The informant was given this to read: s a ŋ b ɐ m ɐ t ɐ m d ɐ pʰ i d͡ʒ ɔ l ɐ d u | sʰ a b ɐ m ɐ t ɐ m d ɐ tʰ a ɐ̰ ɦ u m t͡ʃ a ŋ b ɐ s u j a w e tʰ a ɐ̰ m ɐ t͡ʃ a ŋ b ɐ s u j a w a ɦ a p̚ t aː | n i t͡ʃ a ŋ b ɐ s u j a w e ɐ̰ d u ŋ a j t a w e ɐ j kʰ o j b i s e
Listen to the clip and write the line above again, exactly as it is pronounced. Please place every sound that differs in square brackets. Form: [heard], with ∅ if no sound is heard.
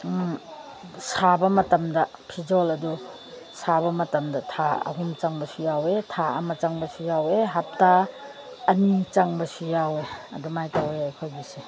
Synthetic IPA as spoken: s a [∅] b ɐ m ɐ t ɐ m d ɐ pʰ i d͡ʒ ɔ l ɐ d u | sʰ a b ɐ m ɐ t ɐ m d ɐ tʰ a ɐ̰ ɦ u m t͡ʃ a ŋ b ɐ s u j a w e tʰ a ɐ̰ m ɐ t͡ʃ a ŋ b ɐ s u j a w [e] ɦ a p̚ t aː | n i t͡ʃ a ŋ b ɐ s u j a w e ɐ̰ d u [m] a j t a w e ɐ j kʰ o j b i s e